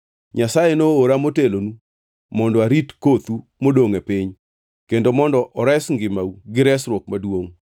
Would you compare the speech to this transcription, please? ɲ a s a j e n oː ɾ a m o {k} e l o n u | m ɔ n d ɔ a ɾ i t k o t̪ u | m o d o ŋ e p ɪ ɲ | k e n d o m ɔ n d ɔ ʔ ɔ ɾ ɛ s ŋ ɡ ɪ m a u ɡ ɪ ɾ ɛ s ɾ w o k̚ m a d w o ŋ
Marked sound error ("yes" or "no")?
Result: yes